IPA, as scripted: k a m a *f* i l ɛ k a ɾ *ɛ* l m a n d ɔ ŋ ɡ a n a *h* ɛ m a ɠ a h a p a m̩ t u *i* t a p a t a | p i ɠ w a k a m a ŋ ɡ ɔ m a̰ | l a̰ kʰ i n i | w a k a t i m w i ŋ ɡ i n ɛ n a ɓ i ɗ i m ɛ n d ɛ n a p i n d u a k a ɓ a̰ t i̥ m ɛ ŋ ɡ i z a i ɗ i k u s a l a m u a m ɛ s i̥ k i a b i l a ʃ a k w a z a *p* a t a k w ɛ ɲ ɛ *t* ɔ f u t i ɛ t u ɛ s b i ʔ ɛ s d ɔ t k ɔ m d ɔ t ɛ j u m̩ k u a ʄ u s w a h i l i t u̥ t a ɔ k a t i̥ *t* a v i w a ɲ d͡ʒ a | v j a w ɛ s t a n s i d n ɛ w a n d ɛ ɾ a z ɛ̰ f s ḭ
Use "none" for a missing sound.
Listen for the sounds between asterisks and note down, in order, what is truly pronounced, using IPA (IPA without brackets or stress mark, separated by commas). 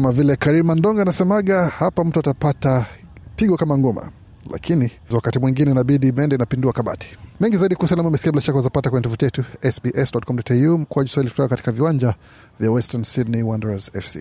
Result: v, i, s, a, p, t, k